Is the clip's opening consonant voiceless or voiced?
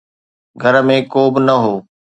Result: voiced